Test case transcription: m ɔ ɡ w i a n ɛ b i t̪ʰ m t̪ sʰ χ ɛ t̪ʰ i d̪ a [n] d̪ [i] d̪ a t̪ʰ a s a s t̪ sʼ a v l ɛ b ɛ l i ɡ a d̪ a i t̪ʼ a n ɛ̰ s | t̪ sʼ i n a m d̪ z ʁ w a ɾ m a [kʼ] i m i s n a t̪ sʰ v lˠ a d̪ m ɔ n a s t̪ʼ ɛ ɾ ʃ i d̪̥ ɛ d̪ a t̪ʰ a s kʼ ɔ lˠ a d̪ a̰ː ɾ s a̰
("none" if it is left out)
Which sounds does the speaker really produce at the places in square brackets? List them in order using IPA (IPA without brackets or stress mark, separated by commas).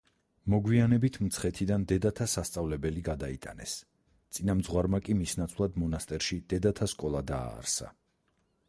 n, ɛ, kʼ